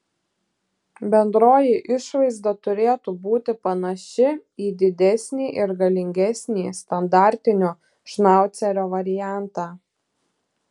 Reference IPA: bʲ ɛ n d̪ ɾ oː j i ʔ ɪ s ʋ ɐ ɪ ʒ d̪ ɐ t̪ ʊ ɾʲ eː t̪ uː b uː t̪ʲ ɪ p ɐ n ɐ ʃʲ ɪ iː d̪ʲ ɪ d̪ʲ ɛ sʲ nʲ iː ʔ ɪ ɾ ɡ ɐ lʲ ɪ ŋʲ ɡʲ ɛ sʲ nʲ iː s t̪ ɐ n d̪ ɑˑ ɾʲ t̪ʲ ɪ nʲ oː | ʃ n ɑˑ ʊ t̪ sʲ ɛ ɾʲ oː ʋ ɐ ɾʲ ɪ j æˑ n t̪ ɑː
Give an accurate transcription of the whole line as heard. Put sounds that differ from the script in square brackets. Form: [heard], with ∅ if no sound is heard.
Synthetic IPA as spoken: bʲ ɛ n d̪ ɾ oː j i ʔ ɪ [ʃ] ʋ ɐ ɪ [z] d̪ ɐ t̪ ʊ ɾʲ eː t̪ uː b uː t̪ʲ ɪ p ɐ n ɐ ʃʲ ɪ iː d̪ʲ ɪ d̪ʲ ɛ sʲ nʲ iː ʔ ɪ ɾ ɡ ɐ lʲ ɪ ŋʲ ɡʲ ɛ sʲ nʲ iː s t̪ ɐ n d̪ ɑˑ ɾʲ t̪ʲ ɪ nʲ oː | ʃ n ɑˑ ʊ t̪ sʲ ɛ ɾʲ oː ʋ ɐ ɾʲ ɪ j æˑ n t̪ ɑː